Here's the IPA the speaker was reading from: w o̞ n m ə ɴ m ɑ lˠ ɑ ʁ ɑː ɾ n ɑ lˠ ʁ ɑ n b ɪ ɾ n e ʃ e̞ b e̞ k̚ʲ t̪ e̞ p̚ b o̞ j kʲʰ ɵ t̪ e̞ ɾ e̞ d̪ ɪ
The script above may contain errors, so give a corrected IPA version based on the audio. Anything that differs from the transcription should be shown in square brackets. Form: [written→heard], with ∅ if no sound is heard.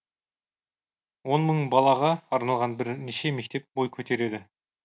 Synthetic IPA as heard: w o̞ n m ə ɴ [m→b] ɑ lˠ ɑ ʁ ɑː ɾ n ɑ lˠ ʁ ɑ n b ɪ ɾ n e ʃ e̞ [b→m] e̞ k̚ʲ t̪ e̞ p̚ b o̞ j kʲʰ ɵ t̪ e̞ ɾ e̞ d̪ ɪ